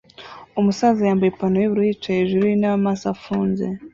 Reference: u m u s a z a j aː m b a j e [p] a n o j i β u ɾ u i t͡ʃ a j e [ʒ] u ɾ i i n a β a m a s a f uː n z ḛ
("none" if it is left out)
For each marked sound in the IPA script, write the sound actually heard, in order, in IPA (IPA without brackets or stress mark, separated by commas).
p, ʒ